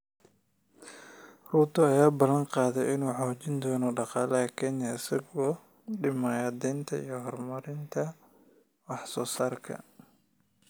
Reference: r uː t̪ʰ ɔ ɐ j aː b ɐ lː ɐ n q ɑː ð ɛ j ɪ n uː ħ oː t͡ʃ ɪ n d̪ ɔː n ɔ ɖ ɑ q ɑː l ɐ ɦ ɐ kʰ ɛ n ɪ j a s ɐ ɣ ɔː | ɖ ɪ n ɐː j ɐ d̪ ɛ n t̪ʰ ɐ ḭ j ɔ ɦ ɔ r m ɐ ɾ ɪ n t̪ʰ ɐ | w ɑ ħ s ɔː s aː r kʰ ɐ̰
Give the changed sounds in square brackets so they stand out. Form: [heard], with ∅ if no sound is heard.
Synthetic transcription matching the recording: r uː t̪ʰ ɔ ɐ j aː b ɐ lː ɐ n q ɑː ð ɛ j ɪ n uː ħ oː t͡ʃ ɪ n d̪ ɔː n ɔ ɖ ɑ q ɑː l ɐ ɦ ɐ kʰ ɛ n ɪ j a s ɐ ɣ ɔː | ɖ ɪ [m] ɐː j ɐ d̪ ɛ n t̪ʰ ɐ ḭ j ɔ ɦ ɔ r m ɐ ɾ ɪ n t̪ʰ ɐ | w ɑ ħ s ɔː s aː r kʰ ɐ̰